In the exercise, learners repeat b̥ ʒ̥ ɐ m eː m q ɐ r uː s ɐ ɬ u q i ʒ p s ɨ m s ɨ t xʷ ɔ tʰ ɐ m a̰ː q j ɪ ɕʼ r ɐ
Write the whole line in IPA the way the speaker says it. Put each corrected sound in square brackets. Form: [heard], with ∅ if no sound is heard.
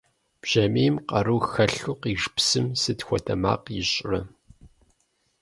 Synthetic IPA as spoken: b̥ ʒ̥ ɐ m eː m q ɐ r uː [x] ɐ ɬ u q i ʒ p s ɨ m s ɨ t xʷ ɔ tʰ ɐ m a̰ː q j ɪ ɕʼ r ɐ